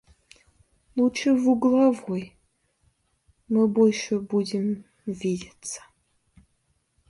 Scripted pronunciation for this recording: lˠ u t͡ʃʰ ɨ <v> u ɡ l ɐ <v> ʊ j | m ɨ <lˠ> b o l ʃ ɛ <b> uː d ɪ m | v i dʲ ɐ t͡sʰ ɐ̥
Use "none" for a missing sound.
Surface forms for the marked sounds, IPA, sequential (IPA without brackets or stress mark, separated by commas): v, v, none, b